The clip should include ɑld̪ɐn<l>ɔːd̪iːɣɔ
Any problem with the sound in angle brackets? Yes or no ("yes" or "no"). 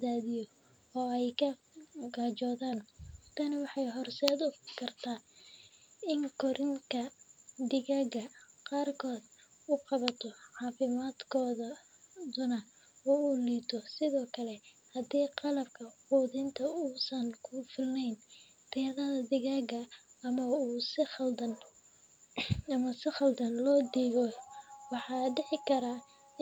no